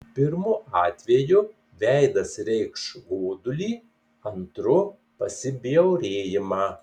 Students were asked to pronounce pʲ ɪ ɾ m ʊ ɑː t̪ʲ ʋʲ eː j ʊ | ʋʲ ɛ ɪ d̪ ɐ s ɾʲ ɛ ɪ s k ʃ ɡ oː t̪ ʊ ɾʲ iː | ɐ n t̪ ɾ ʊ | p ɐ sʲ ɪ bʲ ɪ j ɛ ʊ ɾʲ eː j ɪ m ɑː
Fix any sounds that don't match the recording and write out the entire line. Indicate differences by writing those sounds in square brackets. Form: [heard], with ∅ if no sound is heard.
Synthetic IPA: pʲ ɪ ɾ m ʊ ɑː t̪ʲ ʋʲ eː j ʊ | ʋʲ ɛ ɪ d̪ ɐ s ɾʲ ɛ ɪ [∅] k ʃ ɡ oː [d̪] ʊ [lʲ] iː | ɐ n t̪ ɾ ʊ | p ɐ sʲ ɪ bʲ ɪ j ɛ ʊ ɾʲ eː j ɪ m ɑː